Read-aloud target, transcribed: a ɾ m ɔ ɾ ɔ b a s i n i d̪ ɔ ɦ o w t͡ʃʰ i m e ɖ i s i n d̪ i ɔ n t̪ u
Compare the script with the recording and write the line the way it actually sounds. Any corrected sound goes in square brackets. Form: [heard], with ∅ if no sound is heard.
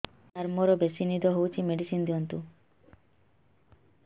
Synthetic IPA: a ɾ m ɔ ɾ ɔ b [e] s i n i d̪ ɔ ɦ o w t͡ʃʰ i m e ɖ i s i n d̪ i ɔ n t̪ u

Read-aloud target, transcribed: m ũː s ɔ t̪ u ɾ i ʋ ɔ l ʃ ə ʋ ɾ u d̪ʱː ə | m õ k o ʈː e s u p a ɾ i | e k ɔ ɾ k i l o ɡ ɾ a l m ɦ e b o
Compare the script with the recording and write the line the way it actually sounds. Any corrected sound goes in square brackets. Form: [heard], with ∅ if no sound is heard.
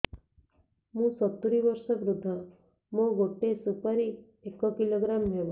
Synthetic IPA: m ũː s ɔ t̪ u ɾ i ʋ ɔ [ɾ] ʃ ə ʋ ɾ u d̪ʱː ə | m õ [ɡ] o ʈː e s u p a ɾ i | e k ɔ [∅] k i l o ɡ ɾ a [∅] m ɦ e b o

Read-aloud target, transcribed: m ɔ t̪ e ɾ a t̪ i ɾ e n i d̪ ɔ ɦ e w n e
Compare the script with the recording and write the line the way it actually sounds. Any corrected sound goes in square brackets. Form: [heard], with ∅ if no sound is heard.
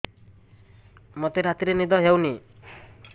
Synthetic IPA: m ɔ t̪ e ɾ a t̪ i ɾ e n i d̪ ɔ ɦ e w n [i]

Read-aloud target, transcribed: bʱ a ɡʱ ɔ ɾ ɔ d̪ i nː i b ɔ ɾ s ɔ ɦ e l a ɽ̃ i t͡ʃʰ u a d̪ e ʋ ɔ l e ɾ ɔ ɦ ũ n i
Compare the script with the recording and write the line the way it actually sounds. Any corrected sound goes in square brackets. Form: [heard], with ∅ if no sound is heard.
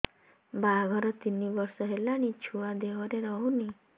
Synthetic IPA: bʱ a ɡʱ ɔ ɾ ɔ [t̪] i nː i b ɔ ɾ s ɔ ɦ e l a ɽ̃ i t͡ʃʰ u a d̪ e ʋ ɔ [ɾ] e ɾ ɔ ɦ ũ n i

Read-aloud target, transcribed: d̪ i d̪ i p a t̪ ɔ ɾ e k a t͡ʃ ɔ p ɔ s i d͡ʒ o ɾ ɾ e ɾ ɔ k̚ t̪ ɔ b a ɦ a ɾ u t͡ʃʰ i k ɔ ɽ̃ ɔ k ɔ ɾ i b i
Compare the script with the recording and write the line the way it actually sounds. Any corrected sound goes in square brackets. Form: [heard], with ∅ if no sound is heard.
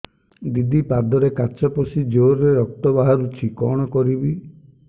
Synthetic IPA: d̪ i d̪ i p a [d̪] ɔ ɾ e k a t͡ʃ ɔ p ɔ s i d͡ʒ o ɾ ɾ e ɾ ɔ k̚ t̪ ɔ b a ɦ a ɾ u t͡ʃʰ i k ɔ ɽ̃ ɔ k ɔ ɾ i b i

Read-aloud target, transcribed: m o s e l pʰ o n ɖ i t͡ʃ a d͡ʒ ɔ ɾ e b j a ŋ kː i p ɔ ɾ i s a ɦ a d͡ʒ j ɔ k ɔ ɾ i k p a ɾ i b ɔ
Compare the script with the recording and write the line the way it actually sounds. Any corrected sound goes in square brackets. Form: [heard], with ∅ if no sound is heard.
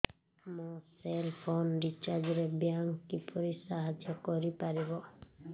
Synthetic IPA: m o s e l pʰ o n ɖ i t͡ʃ a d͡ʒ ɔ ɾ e b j a ŋ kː i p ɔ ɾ i s a ɦ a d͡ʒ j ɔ k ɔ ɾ i [∅] p a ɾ i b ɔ

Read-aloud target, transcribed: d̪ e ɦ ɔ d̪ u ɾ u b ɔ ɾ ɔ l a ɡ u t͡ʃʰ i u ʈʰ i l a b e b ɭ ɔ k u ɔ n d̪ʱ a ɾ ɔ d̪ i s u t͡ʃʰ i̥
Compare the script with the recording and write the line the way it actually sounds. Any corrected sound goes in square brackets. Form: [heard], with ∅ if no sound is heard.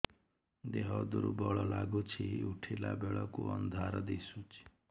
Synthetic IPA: d̪ e ɦ ɔ d̪ u ɾ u b ɔ [ɭ] ɔ l a ɡ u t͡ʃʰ i u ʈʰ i l a b e [∅] ɭ ɔ k u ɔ n d̪ʱ a ɾ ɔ d̪ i s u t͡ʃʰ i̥

